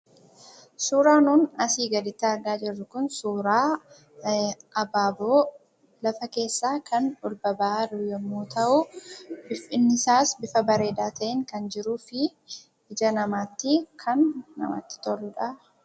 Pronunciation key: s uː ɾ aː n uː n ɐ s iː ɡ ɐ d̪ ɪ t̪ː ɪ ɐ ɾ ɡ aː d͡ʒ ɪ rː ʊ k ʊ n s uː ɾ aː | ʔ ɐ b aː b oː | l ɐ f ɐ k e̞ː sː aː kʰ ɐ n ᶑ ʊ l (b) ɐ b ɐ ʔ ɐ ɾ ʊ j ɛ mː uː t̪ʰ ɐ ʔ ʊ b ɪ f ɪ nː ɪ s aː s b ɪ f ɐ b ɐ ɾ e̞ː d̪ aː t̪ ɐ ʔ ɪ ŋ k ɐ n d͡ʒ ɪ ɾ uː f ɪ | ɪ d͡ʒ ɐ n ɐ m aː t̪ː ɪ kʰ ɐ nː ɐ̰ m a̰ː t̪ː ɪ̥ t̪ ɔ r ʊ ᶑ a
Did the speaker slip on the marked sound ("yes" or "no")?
no